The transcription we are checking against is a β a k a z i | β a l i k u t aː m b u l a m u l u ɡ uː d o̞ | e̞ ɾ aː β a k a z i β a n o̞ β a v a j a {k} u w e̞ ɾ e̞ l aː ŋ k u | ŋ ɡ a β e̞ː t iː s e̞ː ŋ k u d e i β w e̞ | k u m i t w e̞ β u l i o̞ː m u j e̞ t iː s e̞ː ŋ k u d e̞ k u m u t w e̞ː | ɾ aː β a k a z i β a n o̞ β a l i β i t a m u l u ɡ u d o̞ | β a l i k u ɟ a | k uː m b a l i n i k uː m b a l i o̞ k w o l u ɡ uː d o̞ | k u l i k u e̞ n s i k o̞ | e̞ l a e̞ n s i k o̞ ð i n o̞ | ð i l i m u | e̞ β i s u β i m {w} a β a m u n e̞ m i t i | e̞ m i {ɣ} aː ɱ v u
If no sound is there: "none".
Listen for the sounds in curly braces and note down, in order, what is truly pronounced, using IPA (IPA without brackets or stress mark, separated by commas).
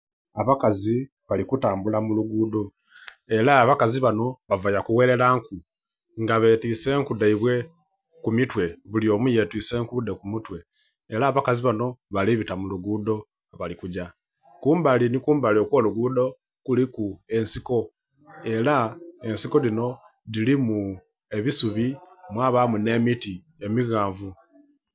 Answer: k, w, ɣ